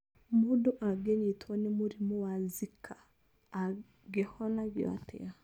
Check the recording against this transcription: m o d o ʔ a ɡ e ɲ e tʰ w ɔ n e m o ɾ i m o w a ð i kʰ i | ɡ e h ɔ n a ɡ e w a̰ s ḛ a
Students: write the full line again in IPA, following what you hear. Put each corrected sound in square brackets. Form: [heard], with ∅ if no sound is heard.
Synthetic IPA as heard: m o d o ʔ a ɡ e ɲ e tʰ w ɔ n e m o ɾ i m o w a [z] i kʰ [a] | ɡ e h ɔ n a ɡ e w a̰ [t] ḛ a